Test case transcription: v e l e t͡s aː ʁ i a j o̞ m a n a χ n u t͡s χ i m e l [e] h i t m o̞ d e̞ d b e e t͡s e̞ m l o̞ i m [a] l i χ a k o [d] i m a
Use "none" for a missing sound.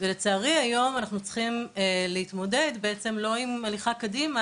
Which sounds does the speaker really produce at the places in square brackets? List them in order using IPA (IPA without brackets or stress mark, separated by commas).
e, a, d